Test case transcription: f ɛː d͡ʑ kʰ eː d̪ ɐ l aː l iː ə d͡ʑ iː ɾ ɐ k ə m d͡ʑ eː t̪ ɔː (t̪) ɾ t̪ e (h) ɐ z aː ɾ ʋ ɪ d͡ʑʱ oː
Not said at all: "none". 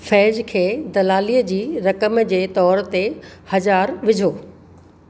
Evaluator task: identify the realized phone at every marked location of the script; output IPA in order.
none, h

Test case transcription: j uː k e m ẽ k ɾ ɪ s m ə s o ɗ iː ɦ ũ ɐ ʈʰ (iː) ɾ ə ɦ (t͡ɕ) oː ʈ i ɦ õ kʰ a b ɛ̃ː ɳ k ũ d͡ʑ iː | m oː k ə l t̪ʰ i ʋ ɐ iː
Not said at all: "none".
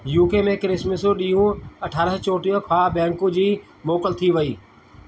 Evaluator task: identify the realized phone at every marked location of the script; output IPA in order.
aː, t͡ɕ

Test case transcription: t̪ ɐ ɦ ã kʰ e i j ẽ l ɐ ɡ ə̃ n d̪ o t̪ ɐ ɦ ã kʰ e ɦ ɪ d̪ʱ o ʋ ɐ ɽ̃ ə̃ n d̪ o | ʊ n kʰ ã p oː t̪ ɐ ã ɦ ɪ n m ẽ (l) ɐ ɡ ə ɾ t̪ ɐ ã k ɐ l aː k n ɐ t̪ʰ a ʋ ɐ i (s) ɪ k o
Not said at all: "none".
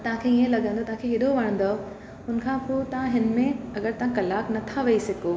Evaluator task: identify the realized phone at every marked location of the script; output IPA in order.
none, s

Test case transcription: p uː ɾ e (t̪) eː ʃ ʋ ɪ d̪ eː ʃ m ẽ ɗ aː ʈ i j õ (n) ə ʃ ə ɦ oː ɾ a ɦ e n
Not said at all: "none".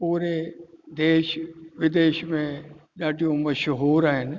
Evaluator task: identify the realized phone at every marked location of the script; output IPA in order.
d̪, m

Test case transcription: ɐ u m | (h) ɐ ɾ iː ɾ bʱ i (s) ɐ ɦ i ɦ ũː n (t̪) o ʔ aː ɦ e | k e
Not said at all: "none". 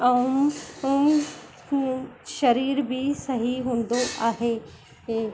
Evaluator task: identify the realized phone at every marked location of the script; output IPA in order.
ʃ, s, d̪

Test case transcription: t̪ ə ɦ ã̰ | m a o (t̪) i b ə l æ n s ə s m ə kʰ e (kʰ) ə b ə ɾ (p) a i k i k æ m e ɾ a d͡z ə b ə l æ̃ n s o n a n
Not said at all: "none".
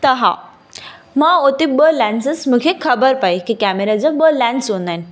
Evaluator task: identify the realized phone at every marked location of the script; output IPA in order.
t̪, kʰ, p

